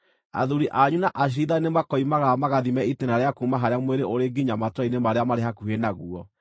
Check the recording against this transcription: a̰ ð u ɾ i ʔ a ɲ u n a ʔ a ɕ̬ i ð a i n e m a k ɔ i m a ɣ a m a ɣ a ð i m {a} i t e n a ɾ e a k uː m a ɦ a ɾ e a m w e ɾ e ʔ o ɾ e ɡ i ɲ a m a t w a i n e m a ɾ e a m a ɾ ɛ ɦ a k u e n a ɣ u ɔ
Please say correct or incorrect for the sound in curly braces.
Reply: incorrect: ɛ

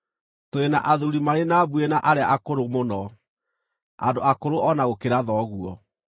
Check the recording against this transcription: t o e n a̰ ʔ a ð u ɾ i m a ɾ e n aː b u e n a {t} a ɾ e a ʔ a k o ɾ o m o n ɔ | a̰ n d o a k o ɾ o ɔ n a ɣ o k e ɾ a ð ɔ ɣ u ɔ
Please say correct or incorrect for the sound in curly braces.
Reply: incorrect: ʔ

